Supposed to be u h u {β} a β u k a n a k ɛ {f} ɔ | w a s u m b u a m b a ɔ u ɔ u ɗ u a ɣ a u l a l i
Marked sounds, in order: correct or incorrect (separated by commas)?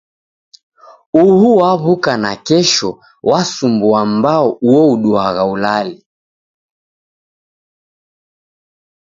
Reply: incorrect, incorrect